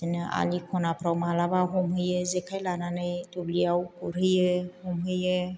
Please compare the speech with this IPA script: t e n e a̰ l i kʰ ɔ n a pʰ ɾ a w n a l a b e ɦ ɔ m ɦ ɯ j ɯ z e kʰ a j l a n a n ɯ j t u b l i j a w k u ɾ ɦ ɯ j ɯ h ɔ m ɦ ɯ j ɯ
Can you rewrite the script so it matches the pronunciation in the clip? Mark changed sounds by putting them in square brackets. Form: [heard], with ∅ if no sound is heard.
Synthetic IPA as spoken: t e n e a̰ l i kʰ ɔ n a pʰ ɾ a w [m] a l a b [a] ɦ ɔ m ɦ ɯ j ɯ z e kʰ a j l a n a n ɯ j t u b l i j a w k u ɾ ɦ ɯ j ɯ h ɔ m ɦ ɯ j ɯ